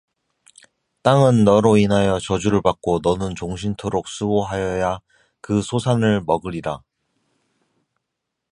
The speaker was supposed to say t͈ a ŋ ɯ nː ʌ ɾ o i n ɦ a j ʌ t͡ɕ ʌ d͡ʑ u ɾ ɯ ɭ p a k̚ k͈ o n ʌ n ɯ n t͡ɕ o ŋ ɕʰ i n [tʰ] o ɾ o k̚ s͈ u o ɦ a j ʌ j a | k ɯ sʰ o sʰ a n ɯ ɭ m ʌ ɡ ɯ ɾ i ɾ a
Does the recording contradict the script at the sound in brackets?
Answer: no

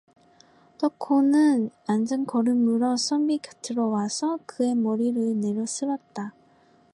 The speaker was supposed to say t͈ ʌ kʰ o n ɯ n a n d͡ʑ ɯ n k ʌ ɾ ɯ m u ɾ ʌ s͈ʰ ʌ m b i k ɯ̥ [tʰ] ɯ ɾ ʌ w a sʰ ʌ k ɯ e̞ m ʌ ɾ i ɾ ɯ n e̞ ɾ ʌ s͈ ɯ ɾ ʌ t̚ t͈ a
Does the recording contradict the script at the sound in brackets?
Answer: no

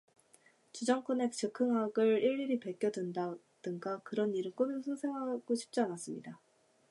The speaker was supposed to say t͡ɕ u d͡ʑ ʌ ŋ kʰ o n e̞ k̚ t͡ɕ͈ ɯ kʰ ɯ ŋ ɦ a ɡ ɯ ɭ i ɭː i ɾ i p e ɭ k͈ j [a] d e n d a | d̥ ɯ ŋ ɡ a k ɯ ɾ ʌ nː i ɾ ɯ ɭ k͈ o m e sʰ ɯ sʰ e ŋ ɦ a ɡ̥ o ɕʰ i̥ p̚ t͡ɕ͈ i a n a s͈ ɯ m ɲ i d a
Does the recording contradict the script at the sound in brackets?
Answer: yes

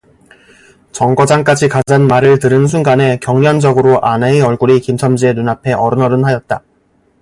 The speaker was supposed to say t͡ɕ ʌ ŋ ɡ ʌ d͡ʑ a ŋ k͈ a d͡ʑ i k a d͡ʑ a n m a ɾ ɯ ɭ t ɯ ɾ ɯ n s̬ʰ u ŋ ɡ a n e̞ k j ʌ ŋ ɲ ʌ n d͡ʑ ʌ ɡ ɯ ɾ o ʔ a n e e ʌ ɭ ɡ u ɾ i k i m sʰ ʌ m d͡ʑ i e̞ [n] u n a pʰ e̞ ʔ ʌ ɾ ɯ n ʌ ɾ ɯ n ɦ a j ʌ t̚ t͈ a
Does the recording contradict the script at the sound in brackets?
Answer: no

